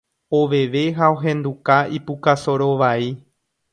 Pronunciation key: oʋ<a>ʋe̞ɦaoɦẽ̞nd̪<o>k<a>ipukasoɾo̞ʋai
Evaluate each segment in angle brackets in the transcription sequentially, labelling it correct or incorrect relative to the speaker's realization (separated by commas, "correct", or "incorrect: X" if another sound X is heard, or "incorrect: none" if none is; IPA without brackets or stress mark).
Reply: incorrect: e, incorrect: u, correct